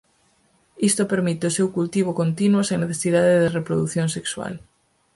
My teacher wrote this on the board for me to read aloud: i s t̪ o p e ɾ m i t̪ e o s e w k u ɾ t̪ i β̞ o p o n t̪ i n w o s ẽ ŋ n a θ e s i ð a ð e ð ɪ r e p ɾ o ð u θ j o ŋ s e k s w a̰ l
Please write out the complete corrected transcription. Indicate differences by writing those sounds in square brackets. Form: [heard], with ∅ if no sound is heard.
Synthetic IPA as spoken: i s t̪ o p e ɾ m i t̪ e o s e w k u [l] t̪ i β̞ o [k] o n t̪ i n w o s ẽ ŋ n [e] θ e s i ð a ð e ð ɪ r e p ɾ o ð u θ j o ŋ s e k s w a̰ l

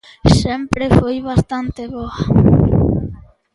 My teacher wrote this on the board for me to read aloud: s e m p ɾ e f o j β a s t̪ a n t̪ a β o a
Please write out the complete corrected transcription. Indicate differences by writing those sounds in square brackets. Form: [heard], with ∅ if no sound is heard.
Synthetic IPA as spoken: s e m p ɾ e f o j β a s t̪ a n t̪ [e] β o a

